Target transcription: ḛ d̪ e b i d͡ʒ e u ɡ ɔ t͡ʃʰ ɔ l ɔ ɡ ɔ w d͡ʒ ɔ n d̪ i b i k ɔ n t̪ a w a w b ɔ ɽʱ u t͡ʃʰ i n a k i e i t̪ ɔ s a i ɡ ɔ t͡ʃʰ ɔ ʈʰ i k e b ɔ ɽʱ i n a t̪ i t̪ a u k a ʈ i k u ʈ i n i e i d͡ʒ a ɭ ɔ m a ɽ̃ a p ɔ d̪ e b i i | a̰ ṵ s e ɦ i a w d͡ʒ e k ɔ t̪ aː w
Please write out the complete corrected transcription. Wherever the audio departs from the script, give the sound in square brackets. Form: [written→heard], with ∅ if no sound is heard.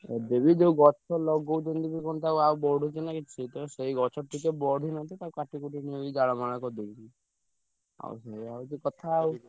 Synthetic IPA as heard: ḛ d̪ e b i d͡ʒ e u ɡ ɔ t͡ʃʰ ɔ l ɔ ɡ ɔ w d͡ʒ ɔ n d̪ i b i k ɔ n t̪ a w a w b ɔ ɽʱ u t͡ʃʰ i n a k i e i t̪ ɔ s [a→e] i ɡ ɔ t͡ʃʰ ɔ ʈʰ i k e b ɔ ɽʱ i n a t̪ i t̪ a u k a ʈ i k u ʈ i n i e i d͡ʒ a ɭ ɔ m a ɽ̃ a [p→k] ɔ d̪ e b i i | a̰ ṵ s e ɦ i a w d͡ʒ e k ɔ [t̪→t̪ʰ] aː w